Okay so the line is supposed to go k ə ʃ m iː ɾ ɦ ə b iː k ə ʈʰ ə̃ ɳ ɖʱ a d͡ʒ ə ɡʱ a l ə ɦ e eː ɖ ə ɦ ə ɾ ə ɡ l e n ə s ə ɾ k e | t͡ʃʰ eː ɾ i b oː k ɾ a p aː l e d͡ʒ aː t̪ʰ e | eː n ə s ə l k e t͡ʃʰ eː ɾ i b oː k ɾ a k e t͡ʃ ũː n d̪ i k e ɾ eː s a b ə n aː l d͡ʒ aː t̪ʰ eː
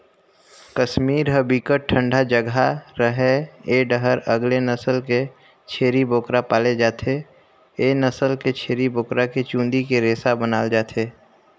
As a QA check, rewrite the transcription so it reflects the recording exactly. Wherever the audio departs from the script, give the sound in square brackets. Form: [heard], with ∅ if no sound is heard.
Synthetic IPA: k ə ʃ m iː ɾ ɦ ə b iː k ə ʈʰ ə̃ ɳ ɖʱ a d͡ʒ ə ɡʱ a [ɾ] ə ɦ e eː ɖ ə ɦ ə ɾ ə ɡ l e n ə s ə [l] k e | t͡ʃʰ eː ɾ i b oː k ɾ a p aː l e d͡ʒ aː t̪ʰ e | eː n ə s ə l k e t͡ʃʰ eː ɾ i b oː k ɾ a k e t͡ʃ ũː n d̪ i k e ɾ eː s a b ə n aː l d͡ʒ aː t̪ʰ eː

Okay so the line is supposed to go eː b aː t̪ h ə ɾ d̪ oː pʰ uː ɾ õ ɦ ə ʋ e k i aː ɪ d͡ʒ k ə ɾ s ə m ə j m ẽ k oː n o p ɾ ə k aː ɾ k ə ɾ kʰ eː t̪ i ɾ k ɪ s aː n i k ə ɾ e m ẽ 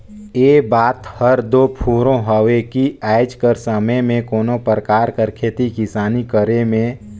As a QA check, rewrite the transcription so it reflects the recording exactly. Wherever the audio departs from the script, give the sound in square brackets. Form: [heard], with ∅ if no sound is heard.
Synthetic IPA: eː b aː t̪ h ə ɾ d̪ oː pʰ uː ɾ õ ɦ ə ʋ e k i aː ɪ d͡ʒ k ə ɾ s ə m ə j m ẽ k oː n o p ɾ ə k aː ɾ k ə ɾ kʰ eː t̪ i [∅] k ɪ s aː n i k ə ɾ e m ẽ

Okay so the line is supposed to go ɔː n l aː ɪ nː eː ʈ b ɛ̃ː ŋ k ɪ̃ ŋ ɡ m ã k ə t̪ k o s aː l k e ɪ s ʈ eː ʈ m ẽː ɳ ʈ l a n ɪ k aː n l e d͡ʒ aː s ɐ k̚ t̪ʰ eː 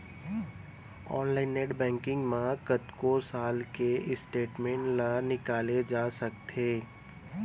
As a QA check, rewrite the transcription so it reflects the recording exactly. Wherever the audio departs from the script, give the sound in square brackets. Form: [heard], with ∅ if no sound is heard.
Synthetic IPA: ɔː n l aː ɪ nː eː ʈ b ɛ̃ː ŋ k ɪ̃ ŋ ɡ m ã k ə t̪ k o s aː l k e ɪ s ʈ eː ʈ m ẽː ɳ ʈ l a n ɪ k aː [∅] l e d͡ʒ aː s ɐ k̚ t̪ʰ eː

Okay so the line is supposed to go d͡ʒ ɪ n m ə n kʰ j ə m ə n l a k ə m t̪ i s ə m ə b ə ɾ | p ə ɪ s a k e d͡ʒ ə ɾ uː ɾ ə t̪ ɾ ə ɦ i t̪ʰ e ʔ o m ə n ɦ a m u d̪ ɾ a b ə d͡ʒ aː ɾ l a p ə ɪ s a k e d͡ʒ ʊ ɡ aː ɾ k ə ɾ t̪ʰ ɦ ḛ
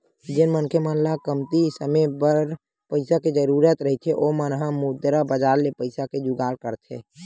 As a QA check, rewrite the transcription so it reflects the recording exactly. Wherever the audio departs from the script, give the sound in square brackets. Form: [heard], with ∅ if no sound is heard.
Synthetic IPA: d͡ʒ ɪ n m ə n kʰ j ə m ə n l a k ə m t̪ i s ə m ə b ə ɾ | p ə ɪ s a k e d͡ʒ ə ɾ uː ɾ ə t̪ ɾ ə ɦ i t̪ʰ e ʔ o m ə n ɦ a m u d̪ ɾ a b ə d͡ʒ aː ɾ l [e] p ə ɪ s a k e d͡ʒ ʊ ɡ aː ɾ k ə ɾ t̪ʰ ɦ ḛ

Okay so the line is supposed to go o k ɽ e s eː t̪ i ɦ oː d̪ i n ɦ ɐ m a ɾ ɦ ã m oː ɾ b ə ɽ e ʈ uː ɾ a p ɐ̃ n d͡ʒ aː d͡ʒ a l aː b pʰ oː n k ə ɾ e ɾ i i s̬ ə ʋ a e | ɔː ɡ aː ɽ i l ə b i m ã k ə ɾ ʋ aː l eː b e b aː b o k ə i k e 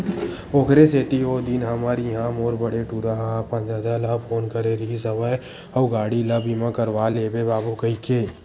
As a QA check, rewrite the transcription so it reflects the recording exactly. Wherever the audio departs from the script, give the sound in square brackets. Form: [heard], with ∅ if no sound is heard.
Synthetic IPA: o k [ɾ] e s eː t̪ i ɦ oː d̪ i n ɦ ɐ m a ɾ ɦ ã m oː ɾ b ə ɽ e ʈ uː ɾ a p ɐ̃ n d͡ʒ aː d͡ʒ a l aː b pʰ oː n k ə ɾ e ɾ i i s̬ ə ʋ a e | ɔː ɡ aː ɽ i l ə b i m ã k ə ɾ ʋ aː l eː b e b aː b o k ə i k e

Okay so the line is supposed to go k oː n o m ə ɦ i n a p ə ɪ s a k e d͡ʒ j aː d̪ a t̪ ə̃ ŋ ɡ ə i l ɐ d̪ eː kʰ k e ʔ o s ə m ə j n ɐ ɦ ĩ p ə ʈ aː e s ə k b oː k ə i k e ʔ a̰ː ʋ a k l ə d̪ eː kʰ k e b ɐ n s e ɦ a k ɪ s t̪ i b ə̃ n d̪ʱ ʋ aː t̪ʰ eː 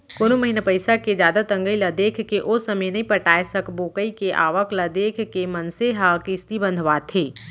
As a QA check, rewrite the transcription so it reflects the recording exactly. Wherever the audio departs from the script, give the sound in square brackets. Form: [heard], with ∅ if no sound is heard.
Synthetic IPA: k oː n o m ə ɦ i n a p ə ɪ s a k e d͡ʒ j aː d̪ a t̪ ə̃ ŋ ɡ ə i l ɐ d̪ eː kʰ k e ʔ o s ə m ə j n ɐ ɦ ĩ p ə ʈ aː e s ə k b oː k ə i k e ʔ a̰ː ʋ [ə] k l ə d̪ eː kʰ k e [m] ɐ n s e ɦ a k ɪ s t̪ i b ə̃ n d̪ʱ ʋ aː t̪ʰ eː

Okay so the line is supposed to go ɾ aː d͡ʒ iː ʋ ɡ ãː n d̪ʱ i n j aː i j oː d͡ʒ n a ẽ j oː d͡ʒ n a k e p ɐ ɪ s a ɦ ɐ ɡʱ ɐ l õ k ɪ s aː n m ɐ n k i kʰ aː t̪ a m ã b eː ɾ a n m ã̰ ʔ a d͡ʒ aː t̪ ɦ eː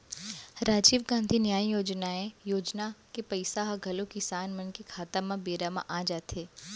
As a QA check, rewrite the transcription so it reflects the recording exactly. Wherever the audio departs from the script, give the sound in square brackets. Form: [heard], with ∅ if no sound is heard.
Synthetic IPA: ɾ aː d͡ʒ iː ʋ ɡ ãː n d̪ʱ i n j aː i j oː d͡ʒ n a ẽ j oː d͡ʒ n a k e p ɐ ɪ s a ɦ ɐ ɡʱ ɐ l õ k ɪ s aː n m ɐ n k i kʰ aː t̪ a m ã b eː ɾ a [∅] m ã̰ ʔ a d͡ʒ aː t̪ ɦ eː

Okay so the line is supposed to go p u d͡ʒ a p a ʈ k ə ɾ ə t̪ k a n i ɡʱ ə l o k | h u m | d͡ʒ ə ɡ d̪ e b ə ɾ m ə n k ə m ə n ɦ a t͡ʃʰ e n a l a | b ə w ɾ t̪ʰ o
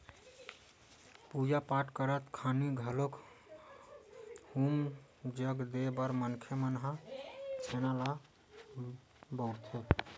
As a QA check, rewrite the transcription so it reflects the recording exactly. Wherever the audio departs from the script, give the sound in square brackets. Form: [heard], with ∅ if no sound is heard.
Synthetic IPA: p u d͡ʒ a p a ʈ k ə ɾ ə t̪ [kʰ] a n i ɡʱ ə l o k | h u m | d͡ʒ ə ɡ d̪ e b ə ɾ m ə n [kʰ] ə m ə n ɦ a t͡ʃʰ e n a l a | b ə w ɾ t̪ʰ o

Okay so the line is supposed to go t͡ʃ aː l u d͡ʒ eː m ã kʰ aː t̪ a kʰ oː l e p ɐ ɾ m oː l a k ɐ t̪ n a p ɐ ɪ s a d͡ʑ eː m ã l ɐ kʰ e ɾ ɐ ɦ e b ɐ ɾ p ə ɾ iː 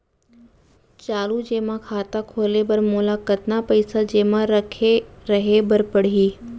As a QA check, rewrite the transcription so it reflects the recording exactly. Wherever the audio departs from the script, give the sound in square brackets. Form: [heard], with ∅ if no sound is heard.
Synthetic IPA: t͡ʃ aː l u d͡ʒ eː m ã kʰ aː t̪ a kʰ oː l e [b] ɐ ɾ m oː l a k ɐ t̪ n a p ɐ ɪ s a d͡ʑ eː m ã [ɾ] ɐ kʰ e ɾ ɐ ɦ e b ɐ ɾ p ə [ɽ] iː

